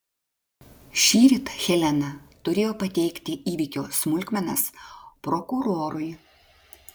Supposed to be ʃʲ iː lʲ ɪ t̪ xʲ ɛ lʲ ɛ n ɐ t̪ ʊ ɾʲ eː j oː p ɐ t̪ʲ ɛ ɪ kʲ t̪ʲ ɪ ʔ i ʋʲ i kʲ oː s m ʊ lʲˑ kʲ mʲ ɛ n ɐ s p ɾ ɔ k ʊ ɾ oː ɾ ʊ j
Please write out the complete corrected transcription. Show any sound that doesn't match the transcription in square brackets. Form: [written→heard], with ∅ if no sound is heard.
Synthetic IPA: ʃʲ iː [lʲ→ɾʲ] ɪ t̪ xʲ ɛ lʲ ɛ n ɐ t̪ ʊ ɾʲ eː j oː p ɐ t̪ʲ ɛ ɪ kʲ t̪ʲ ɪ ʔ [i→iː] ʋʲ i kʲ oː s m ʊ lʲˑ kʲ mʲ ɛ n ɐ s p ɾ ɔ k ʊ ɾ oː ɾ ʊ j

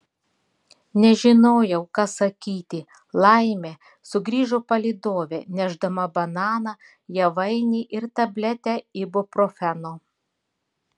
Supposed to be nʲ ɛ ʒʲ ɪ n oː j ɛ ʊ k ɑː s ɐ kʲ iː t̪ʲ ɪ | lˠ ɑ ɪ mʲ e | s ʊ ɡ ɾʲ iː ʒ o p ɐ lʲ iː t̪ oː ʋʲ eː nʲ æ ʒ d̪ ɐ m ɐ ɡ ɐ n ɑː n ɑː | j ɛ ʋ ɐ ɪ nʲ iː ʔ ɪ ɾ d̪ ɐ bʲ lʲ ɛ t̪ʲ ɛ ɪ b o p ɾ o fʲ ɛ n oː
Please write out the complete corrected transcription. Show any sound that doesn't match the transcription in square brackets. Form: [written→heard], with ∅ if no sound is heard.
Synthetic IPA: nʲ ɛ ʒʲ ɪ n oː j ɛ ʊ k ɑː s ɐ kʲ iː t̪ʲ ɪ | lˠ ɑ ɪ mʲ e | s ʊ ɡ ɾʲ iː ʒ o p ɐ lʲ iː [t̪→d̪] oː ʋʲ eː nʲ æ ʒ d̪ ɐ m ɐ [ɡ→b] ɐ n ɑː n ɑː | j ɛ ʋ ɐ ɪ nʲ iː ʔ ɪ ɾ [d̪→t̪] ɐ bʲ lʲ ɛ t̪ʲ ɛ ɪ b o p ɾ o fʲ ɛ n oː

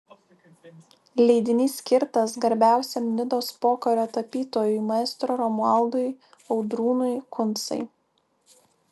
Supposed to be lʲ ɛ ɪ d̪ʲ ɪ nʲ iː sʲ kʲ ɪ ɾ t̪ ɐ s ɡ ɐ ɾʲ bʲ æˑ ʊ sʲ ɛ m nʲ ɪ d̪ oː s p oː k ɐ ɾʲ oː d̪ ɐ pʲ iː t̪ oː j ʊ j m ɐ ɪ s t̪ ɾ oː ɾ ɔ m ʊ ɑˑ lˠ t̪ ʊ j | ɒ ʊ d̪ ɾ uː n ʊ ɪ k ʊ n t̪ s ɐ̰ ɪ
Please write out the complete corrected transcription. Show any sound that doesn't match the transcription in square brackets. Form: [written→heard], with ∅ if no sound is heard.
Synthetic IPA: lʲ ɛ ɪ d̪ʲ ɪ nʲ iː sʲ kʲ ɪ ɾ t̪ ɐ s ɡ ɐ ɾʲ bʲ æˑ ʊ sʲ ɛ m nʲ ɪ d̪ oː s p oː k ɐ ɾʲ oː [d̪→t̪] ɐ pʲ iː t̪ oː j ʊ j m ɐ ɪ s t̪ ɾ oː ɾ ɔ m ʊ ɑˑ lˠ [t̪→d̪] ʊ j | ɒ ʊ d̪ ɾ uː n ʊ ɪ k ʊ n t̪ s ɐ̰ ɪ

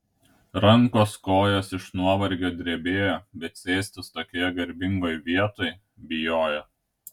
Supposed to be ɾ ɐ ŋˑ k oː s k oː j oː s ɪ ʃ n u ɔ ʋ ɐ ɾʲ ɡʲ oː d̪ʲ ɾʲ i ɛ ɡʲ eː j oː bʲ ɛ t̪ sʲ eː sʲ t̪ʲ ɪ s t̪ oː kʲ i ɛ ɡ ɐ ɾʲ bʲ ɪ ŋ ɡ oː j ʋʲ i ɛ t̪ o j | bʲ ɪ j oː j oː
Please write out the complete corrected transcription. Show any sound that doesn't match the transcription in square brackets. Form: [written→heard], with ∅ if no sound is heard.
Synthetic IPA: ɾ ɐ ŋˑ k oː s k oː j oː s ɪ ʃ n u ɔ ʋ ɐ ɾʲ ɡʲ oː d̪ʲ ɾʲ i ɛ [ɡʲ→bʲ] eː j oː bʲ ɛ t̪ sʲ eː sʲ t̪ʲ ɪ s t̪ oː kʲ i ɛ ɡ ɐ ɾʲ bʲ ɪ ŋ ɡ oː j ʋʲ i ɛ t̪ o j | bʲ ɪ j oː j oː

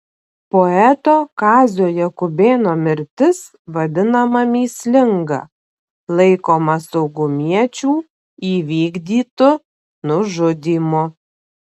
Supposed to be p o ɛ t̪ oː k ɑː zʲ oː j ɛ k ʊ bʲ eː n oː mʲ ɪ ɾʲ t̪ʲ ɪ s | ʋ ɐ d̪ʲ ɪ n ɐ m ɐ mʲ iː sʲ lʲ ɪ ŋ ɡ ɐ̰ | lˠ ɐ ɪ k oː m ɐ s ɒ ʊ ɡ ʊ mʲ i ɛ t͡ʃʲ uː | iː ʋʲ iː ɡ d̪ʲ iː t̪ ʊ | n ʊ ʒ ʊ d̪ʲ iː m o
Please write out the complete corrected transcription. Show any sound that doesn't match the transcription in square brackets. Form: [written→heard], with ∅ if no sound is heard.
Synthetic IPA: p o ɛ t̪ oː k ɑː zʲ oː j ɛ k ʊ bʲ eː n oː mʲ ɪ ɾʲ t̪ʲ ɪ s | ʋ ɐ d̪ʲ ɪ n ɐ m ɐ mʲ iː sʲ lʲ ɪ ŋ ɡ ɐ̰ | lˠ ɐ ɪ k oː m ɐ s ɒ ʊ ɡ ʊ mʲ i ɛ t͡ʃʲ uː | iː ʋʲ iː ɡ d̪ʲ iː t̪ ʊ | n ʊ ʒ ʊ d̪ʲ iː m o

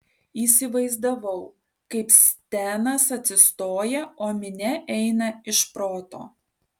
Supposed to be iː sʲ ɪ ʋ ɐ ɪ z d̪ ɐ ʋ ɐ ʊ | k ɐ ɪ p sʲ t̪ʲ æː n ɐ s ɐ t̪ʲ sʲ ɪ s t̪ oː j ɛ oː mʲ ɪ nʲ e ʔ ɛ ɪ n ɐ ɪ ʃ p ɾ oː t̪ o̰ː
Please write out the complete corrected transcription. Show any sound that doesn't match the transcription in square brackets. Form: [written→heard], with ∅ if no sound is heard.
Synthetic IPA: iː sʲ ɪ ʋ ɐ ɪ z d̪ ɐ ʋ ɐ ʊ | k ɐ ɪ p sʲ t̪ʲ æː n ɐ s ɐ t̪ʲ sʲ ɪ s t̪ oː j ɛ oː mʲ ɪ nʲ [e→ɛ] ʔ ɛ ɪ n ɐ ɪ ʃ p ɾ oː t̪ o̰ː

